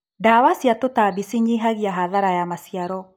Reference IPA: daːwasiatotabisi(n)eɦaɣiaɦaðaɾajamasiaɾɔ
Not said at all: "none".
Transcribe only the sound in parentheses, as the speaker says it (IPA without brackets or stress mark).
ɲ